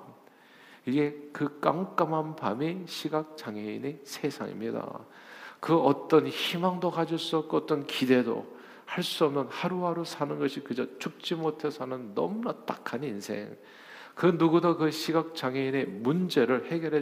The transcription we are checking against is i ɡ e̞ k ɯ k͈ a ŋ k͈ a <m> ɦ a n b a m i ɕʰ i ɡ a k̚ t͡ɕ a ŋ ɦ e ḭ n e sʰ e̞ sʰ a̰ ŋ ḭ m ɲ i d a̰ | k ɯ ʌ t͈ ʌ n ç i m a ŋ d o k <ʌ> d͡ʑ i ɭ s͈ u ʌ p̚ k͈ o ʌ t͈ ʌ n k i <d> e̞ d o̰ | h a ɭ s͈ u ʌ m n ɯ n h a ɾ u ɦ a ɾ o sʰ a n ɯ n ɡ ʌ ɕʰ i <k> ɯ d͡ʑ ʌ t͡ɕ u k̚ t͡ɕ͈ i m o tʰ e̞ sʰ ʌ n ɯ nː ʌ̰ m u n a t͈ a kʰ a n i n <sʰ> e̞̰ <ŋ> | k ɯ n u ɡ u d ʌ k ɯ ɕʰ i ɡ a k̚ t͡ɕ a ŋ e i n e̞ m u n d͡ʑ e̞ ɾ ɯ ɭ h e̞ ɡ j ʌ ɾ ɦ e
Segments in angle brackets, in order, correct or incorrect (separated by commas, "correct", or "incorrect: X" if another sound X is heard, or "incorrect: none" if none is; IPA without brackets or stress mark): correct, incorrect: a, correct, correct, correct, correct